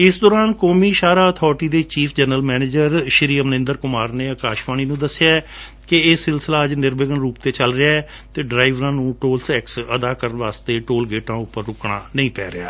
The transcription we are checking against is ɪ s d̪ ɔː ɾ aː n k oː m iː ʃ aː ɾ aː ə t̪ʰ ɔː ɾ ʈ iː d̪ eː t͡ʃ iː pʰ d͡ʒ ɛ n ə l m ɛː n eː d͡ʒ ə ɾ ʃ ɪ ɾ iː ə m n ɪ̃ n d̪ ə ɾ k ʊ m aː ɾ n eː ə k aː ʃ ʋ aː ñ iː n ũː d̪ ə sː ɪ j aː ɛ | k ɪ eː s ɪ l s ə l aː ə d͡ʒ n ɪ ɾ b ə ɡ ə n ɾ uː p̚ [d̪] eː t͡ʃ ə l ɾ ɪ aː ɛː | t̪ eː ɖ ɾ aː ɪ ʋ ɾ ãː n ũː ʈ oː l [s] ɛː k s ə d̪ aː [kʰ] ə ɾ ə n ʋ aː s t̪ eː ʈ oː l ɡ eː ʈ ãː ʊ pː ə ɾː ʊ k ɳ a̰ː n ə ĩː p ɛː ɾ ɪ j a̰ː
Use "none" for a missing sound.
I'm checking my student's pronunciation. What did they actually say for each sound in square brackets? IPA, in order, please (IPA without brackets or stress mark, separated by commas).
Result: t̪, s, k